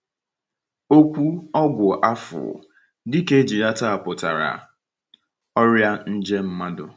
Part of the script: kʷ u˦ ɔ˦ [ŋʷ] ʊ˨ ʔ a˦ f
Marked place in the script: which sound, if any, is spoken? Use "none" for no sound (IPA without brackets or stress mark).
ɡʷ